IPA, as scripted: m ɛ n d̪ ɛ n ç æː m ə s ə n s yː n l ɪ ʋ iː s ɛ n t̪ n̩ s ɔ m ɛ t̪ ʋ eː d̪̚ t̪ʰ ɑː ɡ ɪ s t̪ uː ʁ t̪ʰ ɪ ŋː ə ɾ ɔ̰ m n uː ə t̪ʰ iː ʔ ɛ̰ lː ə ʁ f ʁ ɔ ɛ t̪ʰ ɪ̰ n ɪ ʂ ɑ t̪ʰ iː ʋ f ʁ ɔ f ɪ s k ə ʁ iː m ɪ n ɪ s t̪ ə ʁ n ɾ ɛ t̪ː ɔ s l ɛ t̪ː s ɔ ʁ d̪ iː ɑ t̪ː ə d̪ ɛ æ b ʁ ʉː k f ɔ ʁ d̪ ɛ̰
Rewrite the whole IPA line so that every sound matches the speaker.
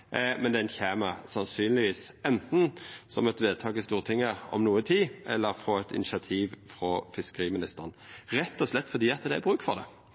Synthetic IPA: m ɛ n d̪ ɛ n ç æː m ə s ɑ n s yː n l ɪ ʋ iː s ɛ n t̪ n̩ s ɔ m ɛ t̪ ʋ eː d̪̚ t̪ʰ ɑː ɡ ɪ s t̪ uː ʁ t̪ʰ ɪ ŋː ə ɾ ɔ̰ m n uː ə t̪ʰ iː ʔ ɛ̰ lː ə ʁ f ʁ ɔ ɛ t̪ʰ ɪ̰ n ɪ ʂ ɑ t̪ʰ iː ʋ f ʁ ɔ f ɪ s k ə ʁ iː m ɪ n ɪ s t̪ ə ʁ n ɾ ɛ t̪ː ɔ s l ɛ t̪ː f ɔ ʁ d̪ iː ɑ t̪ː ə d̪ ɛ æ b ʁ ʉː k f ɔ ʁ d̪ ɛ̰